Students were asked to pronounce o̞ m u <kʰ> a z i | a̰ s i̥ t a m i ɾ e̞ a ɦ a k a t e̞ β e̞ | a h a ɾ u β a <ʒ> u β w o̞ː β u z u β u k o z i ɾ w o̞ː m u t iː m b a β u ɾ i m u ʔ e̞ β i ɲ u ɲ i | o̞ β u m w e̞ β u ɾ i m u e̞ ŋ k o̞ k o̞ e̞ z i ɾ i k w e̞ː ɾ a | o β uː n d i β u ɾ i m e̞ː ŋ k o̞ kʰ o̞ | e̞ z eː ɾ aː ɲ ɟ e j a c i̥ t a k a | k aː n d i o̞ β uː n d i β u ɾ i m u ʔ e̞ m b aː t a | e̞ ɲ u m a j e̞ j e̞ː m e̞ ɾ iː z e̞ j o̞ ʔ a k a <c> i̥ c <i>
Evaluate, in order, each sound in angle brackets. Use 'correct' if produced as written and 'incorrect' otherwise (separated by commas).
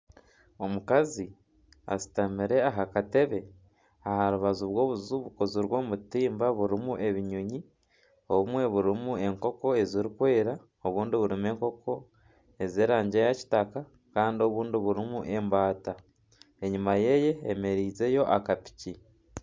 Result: incorrect, incorrect, incorrect, correct